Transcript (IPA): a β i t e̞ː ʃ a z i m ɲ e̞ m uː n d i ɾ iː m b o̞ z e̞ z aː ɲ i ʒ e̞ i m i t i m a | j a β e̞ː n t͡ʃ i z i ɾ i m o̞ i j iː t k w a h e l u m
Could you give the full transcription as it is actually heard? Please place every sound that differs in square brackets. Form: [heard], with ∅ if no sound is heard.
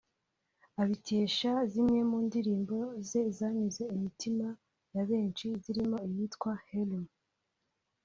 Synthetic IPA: a β i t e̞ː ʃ a z i m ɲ e̞ m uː n d i ɾ iː m b o̞ z e̞ z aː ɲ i [z] e̞ i m i t i m a | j a β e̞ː n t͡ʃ i z i ɾ i m o̞ i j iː t k w a h e l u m